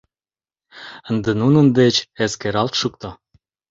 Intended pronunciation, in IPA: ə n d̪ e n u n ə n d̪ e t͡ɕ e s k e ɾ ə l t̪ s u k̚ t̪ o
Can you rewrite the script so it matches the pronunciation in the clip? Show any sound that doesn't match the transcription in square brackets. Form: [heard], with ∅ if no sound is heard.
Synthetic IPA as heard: ə n d̪ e n u n ə n d̪ e t͡ɕ e s k e ɾ [ɑ] l t̪ [ʃ] u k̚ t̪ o

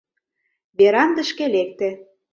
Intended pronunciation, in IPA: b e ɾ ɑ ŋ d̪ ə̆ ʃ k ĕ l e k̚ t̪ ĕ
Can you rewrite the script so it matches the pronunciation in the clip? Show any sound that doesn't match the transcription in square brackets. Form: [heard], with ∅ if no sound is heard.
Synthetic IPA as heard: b e ɾ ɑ [n] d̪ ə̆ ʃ k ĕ l e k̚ t̪ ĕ

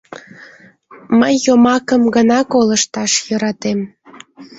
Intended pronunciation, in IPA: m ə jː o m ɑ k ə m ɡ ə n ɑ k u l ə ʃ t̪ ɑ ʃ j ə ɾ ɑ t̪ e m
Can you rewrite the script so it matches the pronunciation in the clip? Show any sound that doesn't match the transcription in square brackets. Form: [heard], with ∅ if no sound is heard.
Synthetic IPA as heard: m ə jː o m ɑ k ə m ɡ ə n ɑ k [o] l ə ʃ t̪ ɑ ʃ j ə ɾ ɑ t̪ e m

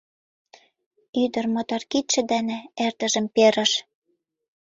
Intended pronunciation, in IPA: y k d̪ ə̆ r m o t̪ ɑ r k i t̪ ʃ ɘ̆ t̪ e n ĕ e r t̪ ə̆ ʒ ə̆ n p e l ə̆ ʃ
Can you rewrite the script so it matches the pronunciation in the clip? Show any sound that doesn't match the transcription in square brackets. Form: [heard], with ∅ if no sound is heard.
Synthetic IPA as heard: y [∅] d̪ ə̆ r m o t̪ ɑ r k i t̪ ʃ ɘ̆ [d̪] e n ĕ e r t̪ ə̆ ʒ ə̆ [m] p e [ɾ] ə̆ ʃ

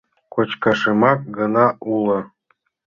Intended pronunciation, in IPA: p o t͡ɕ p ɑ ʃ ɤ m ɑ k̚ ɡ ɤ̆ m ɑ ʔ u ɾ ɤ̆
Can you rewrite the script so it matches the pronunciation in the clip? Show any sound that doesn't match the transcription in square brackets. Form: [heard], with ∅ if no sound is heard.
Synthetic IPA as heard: [k] o t͡ɕ [k] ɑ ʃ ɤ m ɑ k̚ ɡ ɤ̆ [n] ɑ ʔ u [l] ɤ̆

